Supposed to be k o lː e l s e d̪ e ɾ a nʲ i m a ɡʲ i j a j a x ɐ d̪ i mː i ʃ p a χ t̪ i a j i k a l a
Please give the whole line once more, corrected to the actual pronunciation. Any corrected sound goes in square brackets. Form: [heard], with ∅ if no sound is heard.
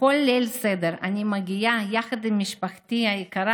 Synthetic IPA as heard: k o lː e l s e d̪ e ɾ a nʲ i m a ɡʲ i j a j a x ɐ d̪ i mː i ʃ p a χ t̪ i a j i k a [ɾ] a